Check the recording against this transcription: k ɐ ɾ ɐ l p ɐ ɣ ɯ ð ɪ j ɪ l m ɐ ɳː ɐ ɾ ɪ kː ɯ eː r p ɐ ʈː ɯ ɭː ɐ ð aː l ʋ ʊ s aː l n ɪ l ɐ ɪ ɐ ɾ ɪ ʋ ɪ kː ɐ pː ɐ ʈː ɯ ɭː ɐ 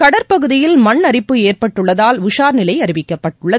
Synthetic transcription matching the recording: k ɐ ɽ ɐ ɾ p ɐ ɣ ɯ ð ɪ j ɪ l m ɐ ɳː ɐ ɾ ɪ pː ɯ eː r p ɐ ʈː ɯ ɭː ɐ ð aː l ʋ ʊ ʂ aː ɾ n ɪ l ɐ ɪ ɐ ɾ ɪ ʋ ɪ kː ɐ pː ɐ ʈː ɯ ɭː ɐ